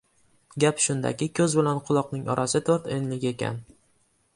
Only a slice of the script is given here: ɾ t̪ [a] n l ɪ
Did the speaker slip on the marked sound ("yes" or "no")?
yes